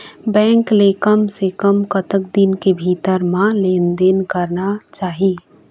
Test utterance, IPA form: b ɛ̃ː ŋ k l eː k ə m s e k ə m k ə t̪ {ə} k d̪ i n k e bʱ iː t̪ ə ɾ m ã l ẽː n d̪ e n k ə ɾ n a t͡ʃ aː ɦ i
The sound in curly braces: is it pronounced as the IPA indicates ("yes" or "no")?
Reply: yes